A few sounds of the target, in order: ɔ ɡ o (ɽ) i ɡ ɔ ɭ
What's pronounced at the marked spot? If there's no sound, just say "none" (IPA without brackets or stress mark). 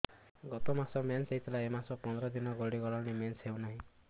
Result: ɽ